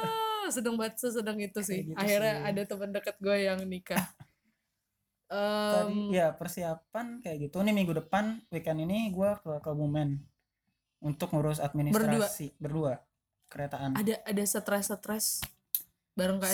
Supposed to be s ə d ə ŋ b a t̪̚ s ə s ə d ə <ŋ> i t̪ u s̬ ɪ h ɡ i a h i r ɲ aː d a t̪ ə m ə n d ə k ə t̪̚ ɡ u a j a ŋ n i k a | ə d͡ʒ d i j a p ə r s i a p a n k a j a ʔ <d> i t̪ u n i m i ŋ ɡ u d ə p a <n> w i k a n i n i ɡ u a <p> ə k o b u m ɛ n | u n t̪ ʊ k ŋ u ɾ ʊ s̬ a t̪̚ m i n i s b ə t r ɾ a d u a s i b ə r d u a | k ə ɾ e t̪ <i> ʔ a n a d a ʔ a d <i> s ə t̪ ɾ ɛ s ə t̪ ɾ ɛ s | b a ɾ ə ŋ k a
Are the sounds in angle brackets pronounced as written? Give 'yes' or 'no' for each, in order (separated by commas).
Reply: yes, no, yes, no, no, no